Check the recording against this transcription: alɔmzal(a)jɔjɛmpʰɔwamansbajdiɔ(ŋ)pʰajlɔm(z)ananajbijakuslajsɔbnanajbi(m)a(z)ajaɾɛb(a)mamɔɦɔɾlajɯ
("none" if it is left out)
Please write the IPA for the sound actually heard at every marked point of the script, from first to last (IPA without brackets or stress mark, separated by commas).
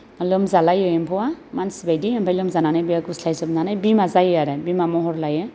a, m, z, m, z, i